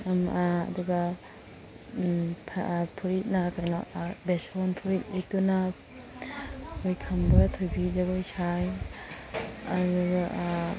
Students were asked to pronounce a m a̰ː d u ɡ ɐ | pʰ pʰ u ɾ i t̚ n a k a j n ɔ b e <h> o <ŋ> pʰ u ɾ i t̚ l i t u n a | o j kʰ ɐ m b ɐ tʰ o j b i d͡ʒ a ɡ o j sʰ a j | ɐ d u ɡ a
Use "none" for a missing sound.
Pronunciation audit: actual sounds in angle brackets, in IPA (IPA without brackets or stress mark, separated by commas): s, n